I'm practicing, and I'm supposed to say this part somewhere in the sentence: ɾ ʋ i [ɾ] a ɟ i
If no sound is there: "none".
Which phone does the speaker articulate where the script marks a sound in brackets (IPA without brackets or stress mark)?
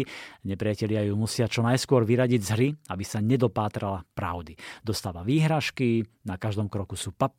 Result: ɾ